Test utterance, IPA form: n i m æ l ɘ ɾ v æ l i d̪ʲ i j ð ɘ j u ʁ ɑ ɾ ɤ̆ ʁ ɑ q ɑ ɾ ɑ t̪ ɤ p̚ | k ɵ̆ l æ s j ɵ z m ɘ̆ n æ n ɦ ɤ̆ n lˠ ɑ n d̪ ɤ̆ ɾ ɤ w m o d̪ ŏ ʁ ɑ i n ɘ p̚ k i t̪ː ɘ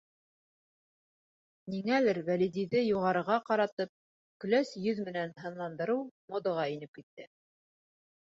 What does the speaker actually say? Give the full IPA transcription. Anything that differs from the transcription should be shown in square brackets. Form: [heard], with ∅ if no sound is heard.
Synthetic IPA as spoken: n i [ŋ] æ l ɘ ɾ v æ l i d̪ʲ i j ð ɘ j u ʁ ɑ ɾ ɤ̆ ʁ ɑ q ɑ ɾ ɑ t̪ ɤ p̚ | k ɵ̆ l æ s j ɵ [ð] m ɘ̆ n æ n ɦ ɤ̆ n lˠ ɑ n d̪ ɤ̆ ɾ ɤ w m o d̪ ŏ ʁ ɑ i n ɘ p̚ k i t̪ː ɘ